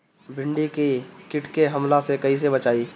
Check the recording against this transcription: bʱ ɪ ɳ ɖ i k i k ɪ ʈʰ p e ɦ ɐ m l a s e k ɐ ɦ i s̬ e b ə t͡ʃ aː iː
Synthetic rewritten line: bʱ ɪ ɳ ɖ i k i k ɪ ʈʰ k e ɦ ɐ m l a s e k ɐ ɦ i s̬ e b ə t͡ʃ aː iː

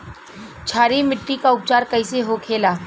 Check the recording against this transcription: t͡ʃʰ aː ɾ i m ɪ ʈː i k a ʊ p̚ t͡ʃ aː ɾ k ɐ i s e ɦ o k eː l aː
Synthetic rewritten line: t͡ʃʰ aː ɾ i m ɪ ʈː i k a ʊ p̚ t͡ʃ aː ɾ k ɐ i s e ɦ o kʰ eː l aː

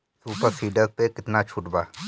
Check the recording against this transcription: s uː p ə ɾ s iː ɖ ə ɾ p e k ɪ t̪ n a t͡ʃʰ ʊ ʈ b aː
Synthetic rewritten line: s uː p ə ɾ s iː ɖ ə ɾ p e k ɪ t̪ n a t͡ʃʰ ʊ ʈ b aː

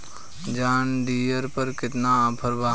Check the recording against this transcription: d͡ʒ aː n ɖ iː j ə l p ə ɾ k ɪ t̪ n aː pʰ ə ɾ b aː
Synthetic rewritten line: d͡ʒ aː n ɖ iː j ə ɾ p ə ɾ k ɪ t̪ n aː pʰ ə ɾ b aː

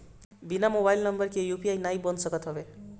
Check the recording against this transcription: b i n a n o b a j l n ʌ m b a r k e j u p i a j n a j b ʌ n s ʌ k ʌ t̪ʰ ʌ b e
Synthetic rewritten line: b i n a m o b a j l n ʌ m b ʌ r k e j u p i a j n a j b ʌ n s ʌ k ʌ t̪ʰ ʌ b e

